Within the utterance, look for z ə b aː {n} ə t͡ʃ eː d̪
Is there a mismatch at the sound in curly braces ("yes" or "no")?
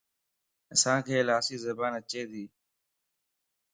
no